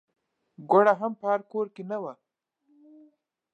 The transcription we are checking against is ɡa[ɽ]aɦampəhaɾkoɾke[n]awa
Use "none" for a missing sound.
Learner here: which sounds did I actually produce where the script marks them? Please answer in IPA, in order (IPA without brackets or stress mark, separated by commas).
ɽ, n